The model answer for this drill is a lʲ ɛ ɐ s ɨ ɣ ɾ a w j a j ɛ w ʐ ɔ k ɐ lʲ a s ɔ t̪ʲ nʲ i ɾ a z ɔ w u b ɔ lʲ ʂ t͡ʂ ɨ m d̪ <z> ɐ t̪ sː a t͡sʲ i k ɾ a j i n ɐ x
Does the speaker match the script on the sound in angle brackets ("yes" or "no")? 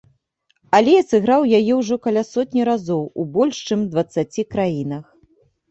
no